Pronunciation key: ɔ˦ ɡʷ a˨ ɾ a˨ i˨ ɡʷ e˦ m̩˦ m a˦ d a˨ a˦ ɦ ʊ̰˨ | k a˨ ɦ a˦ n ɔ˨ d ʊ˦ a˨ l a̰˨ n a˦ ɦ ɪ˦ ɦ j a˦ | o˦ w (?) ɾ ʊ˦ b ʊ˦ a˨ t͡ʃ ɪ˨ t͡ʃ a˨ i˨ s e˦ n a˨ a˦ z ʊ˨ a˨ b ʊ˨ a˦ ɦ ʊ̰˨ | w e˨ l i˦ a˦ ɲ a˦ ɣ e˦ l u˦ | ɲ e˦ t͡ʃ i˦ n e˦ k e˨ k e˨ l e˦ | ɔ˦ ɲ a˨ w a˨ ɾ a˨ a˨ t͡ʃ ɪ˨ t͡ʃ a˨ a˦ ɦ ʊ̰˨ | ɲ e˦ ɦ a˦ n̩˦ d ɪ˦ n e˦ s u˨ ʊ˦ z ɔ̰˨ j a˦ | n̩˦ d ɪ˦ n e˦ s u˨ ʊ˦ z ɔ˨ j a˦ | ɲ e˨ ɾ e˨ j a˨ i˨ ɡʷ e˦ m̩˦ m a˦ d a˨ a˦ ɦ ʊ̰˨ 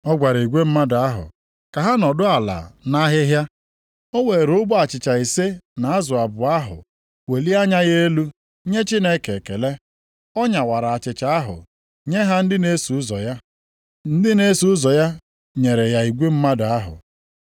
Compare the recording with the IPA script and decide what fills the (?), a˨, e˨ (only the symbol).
e˨